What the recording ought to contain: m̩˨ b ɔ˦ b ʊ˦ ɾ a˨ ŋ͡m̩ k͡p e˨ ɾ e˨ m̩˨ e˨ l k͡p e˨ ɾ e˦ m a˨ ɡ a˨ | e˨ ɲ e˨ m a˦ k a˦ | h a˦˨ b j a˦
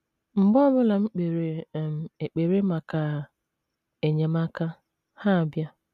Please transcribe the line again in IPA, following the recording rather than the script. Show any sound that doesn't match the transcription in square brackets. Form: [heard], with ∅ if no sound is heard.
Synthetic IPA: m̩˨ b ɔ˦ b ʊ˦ [l] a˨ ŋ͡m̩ k͡p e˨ ɾ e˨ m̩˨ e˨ [∅] k͡p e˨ ɾ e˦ m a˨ [k] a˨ | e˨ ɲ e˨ m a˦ k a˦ | h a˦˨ b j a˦